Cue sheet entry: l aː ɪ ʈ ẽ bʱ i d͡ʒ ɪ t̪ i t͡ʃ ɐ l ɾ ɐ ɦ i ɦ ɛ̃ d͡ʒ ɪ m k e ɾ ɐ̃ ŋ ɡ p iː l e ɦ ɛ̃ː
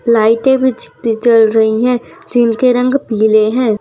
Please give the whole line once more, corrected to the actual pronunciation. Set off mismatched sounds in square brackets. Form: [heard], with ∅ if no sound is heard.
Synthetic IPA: l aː ɪ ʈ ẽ bʱ i d͡ʒ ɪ t̪ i t͡ʃ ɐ l ɾ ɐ ɦ i ɦ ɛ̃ d͡ʒ ɪ [n] k e ɾ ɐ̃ ŋ ɡ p iː l e ɦ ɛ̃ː